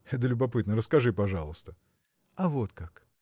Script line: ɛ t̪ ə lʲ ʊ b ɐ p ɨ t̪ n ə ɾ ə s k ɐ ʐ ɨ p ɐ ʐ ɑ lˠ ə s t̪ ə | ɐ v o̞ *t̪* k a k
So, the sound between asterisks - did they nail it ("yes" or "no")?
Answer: yes